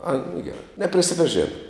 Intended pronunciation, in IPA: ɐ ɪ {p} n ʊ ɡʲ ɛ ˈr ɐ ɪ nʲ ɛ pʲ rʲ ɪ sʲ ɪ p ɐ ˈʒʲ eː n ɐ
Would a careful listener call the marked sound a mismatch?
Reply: yes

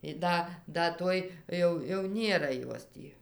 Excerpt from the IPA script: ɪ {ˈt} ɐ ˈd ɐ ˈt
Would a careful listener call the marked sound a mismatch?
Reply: yes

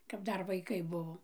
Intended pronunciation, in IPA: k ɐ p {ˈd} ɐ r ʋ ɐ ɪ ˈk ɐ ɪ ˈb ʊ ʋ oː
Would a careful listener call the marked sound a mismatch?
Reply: no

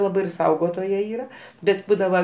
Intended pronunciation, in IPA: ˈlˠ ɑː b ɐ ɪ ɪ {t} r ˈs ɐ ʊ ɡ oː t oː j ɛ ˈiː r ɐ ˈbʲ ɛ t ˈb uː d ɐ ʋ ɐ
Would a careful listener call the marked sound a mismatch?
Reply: yes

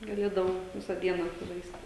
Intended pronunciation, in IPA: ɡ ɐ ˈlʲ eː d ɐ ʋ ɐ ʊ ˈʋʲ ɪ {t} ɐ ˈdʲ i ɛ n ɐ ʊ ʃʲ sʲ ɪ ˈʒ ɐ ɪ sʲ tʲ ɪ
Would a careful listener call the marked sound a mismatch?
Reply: yes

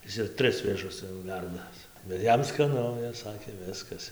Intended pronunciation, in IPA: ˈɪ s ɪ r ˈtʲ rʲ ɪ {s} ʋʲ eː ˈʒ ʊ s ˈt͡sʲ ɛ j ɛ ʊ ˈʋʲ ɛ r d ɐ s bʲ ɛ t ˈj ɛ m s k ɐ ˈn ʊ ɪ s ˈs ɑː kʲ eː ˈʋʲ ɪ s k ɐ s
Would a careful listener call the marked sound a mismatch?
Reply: no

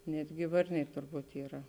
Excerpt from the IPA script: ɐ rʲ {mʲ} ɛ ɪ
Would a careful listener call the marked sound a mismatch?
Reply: yes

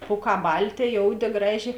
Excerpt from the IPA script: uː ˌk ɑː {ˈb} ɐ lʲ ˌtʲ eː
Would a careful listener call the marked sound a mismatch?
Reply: no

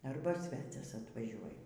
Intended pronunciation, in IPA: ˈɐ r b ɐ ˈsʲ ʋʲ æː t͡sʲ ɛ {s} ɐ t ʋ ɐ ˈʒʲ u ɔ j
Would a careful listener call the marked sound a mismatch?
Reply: no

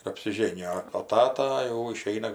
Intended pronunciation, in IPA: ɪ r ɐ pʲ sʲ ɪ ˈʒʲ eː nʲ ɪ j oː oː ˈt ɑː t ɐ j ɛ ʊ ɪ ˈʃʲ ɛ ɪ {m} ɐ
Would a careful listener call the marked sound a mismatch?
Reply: yes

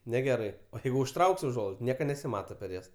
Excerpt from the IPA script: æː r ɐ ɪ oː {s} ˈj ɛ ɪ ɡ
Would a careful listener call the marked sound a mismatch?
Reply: yes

